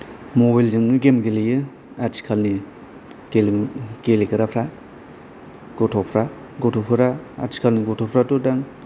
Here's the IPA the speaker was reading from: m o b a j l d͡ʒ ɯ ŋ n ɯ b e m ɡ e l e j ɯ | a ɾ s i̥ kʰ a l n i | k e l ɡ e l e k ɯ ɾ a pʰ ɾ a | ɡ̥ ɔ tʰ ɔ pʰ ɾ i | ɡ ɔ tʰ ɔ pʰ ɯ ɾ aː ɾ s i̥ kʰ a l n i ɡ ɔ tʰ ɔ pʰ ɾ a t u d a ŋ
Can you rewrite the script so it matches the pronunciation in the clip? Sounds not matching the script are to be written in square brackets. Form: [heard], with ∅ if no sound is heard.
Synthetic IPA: m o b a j l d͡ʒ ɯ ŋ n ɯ [ɡ] e m ɡ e l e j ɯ | a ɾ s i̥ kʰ a l n i | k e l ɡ e l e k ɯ ɾ a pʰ ɾ a | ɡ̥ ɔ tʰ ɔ pʰ ɾ [a] | ɡ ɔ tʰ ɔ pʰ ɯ ɾ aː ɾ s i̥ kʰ a l n i ɡ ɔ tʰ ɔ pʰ ɾ a t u d a ŋ

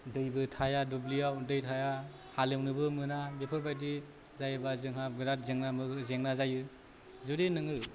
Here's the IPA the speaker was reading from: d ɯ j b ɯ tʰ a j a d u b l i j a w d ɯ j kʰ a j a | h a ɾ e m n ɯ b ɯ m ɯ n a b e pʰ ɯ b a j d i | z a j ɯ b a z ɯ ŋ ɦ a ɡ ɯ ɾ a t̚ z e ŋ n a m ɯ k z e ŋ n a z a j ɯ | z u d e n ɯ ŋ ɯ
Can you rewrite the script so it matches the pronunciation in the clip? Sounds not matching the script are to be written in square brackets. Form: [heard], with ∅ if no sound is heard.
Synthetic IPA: d ɯ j b ɯ tʰ a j a d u b l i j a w d ɯ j [tʰ] a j a | h a [l] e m n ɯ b ɯ m ɯ n a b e pʰ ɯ b a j d i | z a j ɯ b a z ɯ ŋ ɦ a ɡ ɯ ɾ a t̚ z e ŋ n a m ɯ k z e ŋ n a z a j ɯ | z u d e n ɯ ŋ ɯ

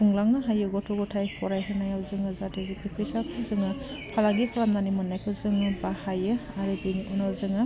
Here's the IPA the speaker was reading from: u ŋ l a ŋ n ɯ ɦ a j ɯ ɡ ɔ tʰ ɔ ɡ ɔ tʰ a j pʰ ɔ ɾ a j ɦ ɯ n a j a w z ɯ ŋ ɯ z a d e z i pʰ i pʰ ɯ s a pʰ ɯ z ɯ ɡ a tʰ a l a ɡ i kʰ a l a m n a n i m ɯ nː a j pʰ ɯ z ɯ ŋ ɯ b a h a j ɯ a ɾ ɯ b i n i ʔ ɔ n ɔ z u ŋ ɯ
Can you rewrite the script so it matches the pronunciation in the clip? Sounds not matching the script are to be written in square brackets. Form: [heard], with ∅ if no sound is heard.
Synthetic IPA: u ŋ l a ŋ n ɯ ɦ a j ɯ ɡ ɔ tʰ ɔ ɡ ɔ tʰ a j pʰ ɔ ɾ a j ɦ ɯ n a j a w z ɯ ŋ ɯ z a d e z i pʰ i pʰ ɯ s a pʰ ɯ z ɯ [ŋ] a [pʰ] a l a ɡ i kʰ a l a m n a n i m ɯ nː a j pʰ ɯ z ɯ ŋ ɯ b a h a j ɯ a ɾ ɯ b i n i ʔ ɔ n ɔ z [ɯ] ŋ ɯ

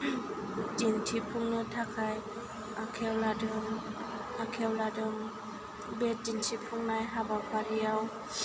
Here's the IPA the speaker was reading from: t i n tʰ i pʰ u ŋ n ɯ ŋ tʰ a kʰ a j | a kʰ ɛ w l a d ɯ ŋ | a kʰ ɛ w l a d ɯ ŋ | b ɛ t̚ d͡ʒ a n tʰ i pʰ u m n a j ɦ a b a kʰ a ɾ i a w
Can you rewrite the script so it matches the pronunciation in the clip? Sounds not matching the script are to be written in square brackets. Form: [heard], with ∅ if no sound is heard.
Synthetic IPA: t i n tʰ i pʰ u ŋ n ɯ [∅] tʰ a kʰ a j | a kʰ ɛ w l a d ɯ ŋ | a kʰ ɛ w l a d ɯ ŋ | b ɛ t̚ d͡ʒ [i] n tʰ i pʰ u [ŋ] n a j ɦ a b a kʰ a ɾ i a w

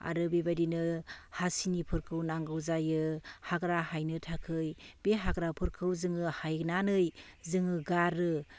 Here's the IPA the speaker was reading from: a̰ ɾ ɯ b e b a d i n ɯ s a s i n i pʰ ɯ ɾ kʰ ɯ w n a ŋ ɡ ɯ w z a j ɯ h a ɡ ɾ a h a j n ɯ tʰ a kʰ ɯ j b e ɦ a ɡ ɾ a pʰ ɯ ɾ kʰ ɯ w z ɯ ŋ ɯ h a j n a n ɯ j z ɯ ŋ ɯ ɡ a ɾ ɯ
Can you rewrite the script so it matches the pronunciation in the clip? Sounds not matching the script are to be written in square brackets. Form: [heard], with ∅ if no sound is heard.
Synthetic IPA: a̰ ɾ ɯ b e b a d i n ɯ [h] a s i n i pʰ ɯ ɾ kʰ ɯ w n a ŋ ɡ ɯ w z a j ɯ h a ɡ ɾ a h a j n ɯ tʰ a kʰ ɯ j b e ɦ a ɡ ɾ a pʰ ɯ ɾ kʰ ɯ w z ɯ ŋ ɯ h a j n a n ɯ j z ɯ ŋ ɯ ɡ a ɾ ɯ

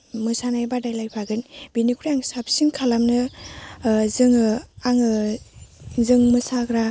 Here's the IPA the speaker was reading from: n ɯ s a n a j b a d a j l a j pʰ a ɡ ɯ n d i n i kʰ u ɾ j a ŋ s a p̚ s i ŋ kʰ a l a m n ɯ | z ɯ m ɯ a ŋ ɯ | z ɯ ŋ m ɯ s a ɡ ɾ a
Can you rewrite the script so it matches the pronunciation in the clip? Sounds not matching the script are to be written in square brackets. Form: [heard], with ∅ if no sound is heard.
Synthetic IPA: [m] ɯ s a n a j b a d a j l a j pʰ a ɡ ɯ n [b] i n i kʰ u ɾ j a ŋ s a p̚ s i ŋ kʰ a l a m n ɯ | z ɯ [ŋ] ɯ a ŋ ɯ | z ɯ ŋ m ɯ s a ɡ ɾ a

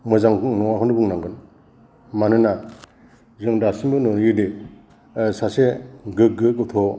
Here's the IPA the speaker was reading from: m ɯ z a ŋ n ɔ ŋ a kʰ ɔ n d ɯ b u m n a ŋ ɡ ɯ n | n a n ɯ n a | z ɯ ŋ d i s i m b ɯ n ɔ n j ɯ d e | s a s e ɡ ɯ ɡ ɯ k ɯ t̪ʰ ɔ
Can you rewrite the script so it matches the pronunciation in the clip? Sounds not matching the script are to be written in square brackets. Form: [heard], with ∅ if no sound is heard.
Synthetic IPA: m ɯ z a ŋ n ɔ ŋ a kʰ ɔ n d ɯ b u [ŋ] n a ŋ ɡ ɯ n | [m] a n ɯ n a | z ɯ ŋ d [a] s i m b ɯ n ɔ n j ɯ d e | s a s e ɡ ɯ ɡ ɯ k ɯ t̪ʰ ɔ

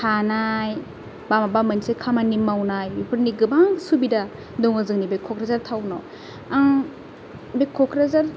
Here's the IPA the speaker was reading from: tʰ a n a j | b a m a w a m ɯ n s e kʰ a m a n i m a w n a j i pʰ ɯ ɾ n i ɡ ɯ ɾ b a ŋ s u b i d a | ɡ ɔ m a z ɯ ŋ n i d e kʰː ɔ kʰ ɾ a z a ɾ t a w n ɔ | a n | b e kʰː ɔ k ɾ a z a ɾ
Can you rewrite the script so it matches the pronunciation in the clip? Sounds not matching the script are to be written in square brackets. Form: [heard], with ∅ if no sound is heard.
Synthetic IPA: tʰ a n a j | b a m a [b] a m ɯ n s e kʰ a m a n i m a w n a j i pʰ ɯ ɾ n i ɡ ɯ [∅] b a ŋ s u b i d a | [d] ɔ [ŋ] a z ɯ ŋ n i [b] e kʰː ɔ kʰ ɾ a z a ɾ [tʰ] a w n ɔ | a [ŋ] | b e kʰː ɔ k ɾ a z a ɾ

